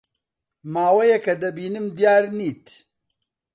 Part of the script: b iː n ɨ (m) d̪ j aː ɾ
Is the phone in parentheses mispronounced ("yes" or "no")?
no